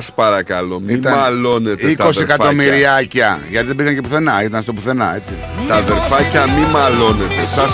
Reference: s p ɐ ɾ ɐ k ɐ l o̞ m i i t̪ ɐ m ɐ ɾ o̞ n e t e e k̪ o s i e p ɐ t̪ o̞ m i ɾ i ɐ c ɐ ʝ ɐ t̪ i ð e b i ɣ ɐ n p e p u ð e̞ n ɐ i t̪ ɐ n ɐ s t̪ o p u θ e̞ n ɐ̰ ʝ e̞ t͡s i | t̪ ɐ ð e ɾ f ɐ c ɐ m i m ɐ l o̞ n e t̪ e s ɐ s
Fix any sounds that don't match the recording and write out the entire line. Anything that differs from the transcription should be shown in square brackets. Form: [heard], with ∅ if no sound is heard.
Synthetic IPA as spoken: s p ɐ ɾ ɐ k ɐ l o̞ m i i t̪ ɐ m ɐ [l] o̞ n e t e [i] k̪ o s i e [k] ɐ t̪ o̞ m i ɾ i ɐ c ɐ ʝ ɐ t̪ i ð e b i ɣ ɐ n [c] e p u [θ] e̞ n ɐ i t̪ ɐ n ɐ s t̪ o p u θ e̞ n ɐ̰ [∅] e̞ t͡s i | t̪ ɐ ð e ɾ f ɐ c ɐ m i m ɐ l o̞ n e t̪ e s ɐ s